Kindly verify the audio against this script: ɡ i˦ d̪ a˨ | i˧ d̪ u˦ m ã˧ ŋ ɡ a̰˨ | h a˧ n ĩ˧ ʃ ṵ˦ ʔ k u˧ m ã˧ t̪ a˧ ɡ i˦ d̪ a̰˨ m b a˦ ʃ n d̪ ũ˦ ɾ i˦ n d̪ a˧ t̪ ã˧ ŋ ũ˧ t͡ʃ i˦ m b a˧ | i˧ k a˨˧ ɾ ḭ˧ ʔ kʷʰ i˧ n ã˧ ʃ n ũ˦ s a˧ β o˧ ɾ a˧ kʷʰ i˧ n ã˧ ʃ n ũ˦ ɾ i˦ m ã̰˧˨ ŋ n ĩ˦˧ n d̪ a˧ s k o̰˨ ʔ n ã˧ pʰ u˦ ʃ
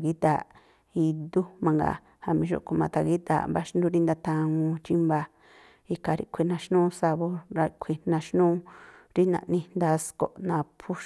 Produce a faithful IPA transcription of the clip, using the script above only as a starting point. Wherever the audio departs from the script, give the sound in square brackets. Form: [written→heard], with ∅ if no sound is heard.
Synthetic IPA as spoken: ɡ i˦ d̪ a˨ | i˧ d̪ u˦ m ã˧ ŋ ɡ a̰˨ | h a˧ [n→m] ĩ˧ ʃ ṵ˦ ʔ k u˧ m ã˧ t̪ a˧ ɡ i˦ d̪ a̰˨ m b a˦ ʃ n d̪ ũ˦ ɾ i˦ n d̪ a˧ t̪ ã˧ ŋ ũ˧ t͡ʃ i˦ m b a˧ | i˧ k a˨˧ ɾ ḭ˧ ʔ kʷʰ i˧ n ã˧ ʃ n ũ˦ s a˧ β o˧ ɾ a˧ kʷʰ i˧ n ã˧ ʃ n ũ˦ ɾ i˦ [m→n] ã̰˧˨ [ŋ→∅] n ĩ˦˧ n d̪ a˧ s k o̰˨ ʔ n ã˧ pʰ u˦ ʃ